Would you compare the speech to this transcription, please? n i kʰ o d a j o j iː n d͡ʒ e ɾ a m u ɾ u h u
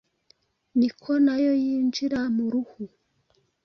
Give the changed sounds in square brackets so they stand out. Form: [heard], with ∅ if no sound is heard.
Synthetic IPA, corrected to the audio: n i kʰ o [n] a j o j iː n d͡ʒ [i] ɾ a m u ɾ u h u